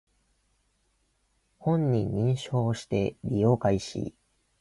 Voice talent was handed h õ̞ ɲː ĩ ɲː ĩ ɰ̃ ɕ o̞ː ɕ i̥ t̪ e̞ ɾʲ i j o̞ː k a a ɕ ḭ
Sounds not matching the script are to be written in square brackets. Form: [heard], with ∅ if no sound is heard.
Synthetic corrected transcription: h õ̞ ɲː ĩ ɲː ĩ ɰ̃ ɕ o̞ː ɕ i̥ t̪ e̞ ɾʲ i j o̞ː k a [i] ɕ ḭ